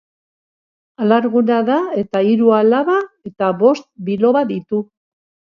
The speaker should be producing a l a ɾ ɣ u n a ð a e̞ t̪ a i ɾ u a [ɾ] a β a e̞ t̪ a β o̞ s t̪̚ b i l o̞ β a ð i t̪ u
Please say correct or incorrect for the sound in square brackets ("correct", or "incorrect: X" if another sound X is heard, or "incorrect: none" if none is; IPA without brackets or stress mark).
incorrect: l